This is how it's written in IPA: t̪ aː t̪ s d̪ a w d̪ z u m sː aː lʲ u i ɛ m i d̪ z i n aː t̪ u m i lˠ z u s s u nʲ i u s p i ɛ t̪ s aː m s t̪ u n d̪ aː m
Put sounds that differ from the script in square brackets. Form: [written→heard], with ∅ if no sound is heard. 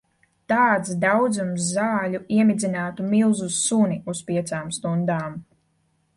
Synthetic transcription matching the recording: t̪ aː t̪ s d̪ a w d̪ z u m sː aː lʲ u i ɛ m i d̪ z i n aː t̪ u m i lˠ z u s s u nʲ i u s p i ɛ t̪ s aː m s t̪ u n d̪ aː m